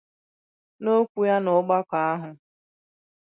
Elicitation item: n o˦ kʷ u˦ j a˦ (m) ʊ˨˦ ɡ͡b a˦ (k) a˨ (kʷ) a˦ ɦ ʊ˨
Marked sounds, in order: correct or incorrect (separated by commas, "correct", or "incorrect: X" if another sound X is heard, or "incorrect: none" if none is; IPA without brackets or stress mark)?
incorrect: n, correct, incorrect: none